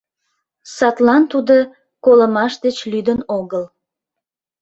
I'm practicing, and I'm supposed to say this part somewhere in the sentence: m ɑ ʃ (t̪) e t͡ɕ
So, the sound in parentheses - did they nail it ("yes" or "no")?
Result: no